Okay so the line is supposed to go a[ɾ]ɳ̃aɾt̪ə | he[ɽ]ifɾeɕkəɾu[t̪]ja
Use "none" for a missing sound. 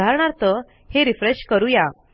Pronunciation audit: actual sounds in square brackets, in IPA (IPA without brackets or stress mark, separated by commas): ɾ, ɾ, none